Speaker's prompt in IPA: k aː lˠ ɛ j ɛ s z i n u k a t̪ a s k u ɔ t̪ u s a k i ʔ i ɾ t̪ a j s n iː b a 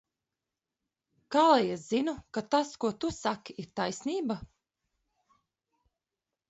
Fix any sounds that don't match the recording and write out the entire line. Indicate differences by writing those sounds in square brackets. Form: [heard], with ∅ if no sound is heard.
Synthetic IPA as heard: k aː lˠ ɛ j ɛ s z i n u k a t̪ a s k u ɔ t̪ u s a k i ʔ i ɾ t̪ a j s n iː b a